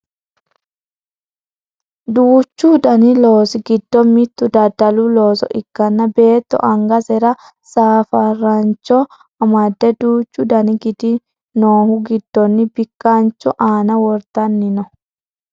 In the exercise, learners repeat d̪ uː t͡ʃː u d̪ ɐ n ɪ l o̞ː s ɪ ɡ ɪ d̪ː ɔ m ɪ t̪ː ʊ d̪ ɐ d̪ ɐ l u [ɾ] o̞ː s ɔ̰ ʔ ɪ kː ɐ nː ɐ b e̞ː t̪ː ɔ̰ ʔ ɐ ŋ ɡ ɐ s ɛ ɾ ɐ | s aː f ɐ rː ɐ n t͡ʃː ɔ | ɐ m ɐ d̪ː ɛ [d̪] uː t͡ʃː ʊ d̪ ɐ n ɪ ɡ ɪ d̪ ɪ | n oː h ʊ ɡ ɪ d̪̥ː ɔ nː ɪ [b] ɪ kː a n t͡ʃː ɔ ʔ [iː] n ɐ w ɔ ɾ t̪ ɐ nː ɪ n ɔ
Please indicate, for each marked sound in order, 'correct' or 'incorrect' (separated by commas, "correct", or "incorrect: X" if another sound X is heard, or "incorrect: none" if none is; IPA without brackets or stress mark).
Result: incorrect: l, correct, correct, incorrect: aː